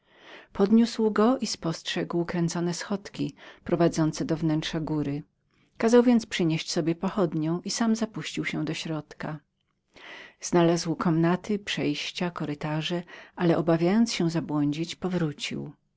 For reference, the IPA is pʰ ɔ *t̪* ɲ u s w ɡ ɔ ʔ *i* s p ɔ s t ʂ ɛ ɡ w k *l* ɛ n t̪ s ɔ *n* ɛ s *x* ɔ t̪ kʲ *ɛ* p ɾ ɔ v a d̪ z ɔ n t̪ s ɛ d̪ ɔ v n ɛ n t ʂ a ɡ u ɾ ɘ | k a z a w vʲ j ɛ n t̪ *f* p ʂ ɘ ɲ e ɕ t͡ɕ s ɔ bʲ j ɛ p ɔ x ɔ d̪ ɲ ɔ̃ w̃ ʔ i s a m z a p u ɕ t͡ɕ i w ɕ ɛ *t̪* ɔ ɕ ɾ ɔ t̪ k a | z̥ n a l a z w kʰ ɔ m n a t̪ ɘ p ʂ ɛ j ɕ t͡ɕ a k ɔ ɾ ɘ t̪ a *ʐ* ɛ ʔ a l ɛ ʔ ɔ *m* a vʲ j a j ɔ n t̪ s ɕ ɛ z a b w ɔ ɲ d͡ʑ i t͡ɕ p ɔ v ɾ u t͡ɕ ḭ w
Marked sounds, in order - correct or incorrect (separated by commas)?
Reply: incorrect, correct, incorrect, correct, correct, incorrect, incorrect, incorrect, correct, incorrect